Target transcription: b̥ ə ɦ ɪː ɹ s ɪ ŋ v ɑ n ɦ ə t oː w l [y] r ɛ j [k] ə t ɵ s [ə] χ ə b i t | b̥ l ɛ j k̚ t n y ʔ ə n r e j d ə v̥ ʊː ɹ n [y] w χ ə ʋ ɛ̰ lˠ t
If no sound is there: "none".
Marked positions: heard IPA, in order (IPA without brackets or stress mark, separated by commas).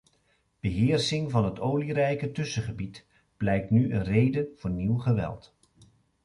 i, k, ə, i